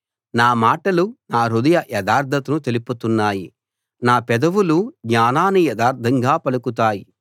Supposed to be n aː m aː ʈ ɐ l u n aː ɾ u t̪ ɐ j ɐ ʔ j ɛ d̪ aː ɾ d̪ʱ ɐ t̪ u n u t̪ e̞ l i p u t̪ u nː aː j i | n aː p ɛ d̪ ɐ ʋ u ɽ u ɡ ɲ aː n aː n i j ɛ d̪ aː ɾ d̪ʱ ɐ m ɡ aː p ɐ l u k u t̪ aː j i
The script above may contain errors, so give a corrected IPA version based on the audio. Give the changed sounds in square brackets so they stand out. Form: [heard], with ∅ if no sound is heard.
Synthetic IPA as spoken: n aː m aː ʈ ɐ l u n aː ɾ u [d̪] ɐ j ɐ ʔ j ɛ d̪ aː ɾ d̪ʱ ɐ t̪ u n u t̪ e̞ l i p u t̪ u nː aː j i | n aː p ɛ d̪ ɐ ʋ u [l] u ɡ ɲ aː n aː n i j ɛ d̪ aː ɾ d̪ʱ ɐ [ŋ] ɡ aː p ɐ l u k u t̪ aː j i